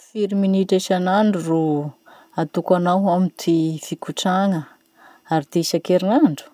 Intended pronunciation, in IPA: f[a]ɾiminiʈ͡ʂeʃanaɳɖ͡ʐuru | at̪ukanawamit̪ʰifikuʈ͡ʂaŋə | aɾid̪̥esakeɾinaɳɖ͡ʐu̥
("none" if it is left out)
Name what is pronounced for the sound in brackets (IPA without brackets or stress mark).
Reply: i